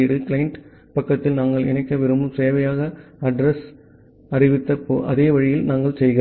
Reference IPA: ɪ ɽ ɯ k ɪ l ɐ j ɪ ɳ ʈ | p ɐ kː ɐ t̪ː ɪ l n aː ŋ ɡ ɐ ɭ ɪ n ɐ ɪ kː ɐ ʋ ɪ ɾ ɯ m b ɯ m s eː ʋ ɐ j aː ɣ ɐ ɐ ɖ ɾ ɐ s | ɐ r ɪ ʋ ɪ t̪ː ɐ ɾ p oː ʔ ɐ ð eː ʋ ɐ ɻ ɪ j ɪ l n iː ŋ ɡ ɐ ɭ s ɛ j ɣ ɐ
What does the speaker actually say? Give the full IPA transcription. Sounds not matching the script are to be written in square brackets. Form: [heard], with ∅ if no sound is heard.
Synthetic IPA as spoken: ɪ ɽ ɯ k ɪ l ɐ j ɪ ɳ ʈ | p ɐ kː ɐ t̪ː ɪ l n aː ŋ ɡ ɐ ɭ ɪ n ɐ ɪ kː ɐ ʋ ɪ ɾ ɯ m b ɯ m s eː ʋ ɐ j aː ɣ ɐ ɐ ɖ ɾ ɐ s | ɐ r ɪ ʋ ɪ t̪ː ɐ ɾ p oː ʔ ɐ ð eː ʋ ɐ ɻ ɪ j ɪ l n [aː] ŋ ɡ ɐ ɭ s ɛ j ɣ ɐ

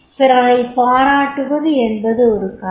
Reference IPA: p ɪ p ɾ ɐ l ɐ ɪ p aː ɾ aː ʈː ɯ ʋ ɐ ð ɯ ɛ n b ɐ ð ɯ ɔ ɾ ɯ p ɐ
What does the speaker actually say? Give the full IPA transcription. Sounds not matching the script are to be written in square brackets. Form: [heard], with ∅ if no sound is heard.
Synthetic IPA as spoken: p ɪ [∅] ɾ ɐ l ɐ ɪ p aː ɾ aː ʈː ɯ ʋ ɐ ð ɯ ɛ n b ɐ ð ɯ ɔ ɾ ɯ [k] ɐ

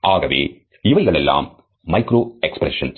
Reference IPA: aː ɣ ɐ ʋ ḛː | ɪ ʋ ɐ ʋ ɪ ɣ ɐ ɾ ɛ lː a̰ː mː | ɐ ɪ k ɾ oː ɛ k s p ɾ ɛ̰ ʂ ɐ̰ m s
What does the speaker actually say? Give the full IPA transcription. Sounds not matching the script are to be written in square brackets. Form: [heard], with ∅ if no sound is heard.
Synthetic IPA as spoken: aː ɣ ɐ ʋ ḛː | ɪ ʋ ɐ [∅] ɪ ɣ ɐ [ɭ] ɛ lː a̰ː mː | ɐ ɪ k ɾ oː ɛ k s p ɾ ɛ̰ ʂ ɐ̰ [n] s

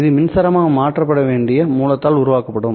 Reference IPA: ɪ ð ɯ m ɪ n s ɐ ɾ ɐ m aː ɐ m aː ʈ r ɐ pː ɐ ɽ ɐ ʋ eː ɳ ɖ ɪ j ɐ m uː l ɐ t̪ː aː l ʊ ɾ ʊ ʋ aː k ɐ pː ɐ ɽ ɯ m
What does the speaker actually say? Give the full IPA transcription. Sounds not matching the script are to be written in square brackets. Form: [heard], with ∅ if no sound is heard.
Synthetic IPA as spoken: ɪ ð ɯ m ɪ n s ɐ ɾ ɐ m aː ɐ m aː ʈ r ɐ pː ɐ ɽ ɐ ʋ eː ɳ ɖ ɪ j ɐ m uː l ɐ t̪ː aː l ʊ ɾ ʊ ʋ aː k ɐ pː ɐ ɽ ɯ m

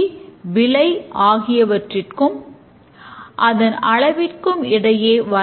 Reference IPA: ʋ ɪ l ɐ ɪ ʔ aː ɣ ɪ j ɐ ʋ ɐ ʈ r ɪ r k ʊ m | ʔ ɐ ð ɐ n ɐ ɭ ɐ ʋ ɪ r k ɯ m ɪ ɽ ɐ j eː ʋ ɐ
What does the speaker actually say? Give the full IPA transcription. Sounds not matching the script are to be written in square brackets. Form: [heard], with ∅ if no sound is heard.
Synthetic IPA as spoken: ʋ ɪ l ɐ ɪ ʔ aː ɣ ɪ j ɐ ʋ ɐ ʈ r ɪ r k [ɯ] m | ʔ ɐ ð ɐ n ɐ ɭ ɐ ʋ ɪ r k ɯ m ɪ ɽ ɐ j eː ʋ ɐ

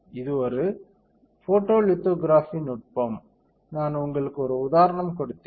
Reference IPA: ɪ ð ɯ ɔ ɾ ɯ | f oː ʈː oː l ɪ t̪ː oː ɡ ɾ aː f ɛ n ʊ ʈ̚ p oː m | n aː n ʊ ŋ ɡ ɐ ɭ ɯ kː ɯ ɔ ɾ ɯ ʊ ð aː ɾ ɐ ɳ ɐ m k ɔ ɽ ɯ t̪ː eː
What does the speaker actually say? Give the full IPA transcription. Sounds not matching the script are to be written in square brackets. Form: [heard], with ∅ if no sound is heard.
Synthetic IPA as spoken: ɪ ð ɯ ɔ ɾ ɯ | f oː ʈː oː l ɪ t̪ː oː ɡ ɾ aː f [i] n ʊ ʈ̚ p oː m | n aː n ʊ ŋ ɡ ɐ ɭ ɯ kː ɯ ɔ ɾ ɯ ʊ ð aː ɾ ɐ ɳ ɐ m k ɔ ɽ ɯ t̪ː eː

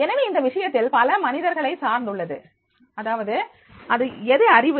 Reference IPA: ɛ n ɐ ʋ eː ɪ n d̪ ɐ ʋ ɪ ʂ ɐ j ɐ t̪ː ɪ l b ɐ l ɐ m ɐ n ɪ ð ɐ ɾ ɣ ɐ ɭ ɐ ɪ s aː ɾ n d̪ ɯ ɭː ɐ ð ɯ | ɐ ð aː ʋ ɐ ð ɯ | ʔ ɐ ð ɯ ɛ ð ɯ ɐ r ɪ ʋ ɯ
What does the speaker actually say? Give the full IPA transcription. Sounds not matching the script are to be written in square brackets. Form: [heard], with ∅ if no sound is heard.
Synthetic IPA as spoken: ɛ n ɐ ʋ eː ɪ n d̪ ɐ ʋ ɪ ʂ ɐ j ɐ t̪ː ɪ l [p] ɐ l ɐ m ɐ n ɪ ð ɐ ɾ ɣ ɐ ɭ ɐ ɪ s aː ɾ n d̪ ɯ ɭː ɐ ð ɯ | ɐ ð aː ʋ ɐ ð ɯ | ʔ ɐ ð ɯ ɛ ð ɯ ɐ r ɪ ʋ ɯ

